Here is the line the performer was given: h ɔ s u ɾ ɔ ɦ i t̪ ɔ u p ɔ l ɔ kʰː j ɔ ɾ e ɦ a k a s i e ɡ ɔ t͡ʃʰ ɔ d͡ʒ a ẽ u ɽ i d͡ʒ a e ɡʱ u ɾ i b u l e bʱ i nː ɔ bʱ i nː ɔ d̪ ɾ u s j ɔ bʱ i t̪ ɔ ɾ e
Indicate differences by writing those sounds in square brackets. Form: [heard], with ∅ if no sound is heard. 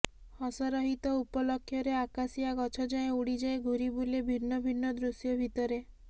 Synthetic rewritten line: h ɔ s [ɔ] ɾ ɔ ɦ i t̪ ɔ u p ɔ l ɔ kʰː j ɔ ɾ e [∅] a k a s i [a] ɡ ɔ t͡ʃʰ ɔ d͡ʒ a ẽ u ɽ i d͡ʒ a e ɡʱ u ɾ i b u l e bʱ i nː ɔ bʱ i nː ɔ d̪ ɾ u s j ɔ bʱ i t̪ ɔ ɾ e